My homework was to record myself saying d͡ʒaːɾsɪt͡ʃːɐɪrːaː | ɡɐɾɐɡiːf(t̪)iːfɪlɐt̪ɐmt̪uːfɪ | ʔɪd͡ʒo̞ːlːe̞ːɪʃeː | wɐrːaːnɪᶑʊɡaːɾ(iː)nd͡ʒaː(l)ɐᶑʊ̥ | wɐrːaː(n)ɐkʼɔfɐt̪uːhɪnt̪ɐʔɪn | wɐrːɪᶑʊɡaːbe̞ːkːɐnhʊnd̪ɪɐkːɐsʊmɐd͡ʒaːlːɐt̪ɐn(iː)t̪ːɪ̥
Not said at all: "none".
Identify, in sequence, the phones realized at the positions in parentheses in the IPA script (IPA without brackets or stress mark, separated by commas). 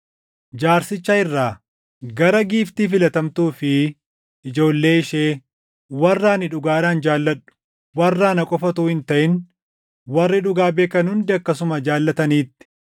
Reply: t̪, aː, lː, n, iː